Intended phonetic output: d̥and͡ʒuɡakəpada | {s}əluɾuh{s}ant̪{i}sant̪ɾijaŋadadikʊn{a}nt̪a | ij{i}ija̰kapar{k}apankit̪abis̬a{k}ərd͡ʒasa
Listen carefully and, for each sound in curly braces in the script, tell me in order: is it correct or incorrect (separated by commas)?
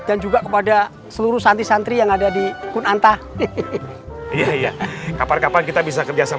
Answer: correct, correct, correct, correct, incorrect, correct, correct